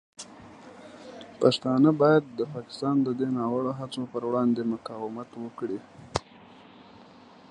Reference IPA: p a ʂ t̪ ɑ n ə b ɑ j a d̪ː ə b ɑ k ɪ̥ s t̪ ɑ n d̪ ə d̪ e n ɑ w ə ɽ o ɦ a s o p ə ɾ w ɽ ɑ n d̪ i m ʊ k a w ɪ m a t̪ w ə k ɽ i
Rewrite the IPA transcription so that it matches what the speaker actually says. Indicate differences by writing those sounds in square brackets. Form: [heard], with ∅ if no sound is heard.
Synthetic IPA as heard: p a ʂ t̪ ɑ n ə b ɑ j a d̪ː ə [p] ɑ k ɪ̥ s t̪ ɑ n d̪ ə d̪ e n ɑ w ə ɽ o ɦ a [t͡s] o p ə ɾ w ɽ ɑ n d̪ [e] m ʊ k [ɑ] w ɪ m a t̪ w ə k ɽ i